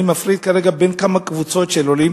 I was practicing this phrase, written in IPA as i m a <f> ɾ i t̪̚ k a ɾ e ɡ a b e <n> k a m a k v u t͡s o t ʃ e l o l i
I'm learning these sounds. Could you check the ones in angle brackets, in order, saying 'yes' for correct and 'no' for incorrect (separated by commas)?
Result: yes, yes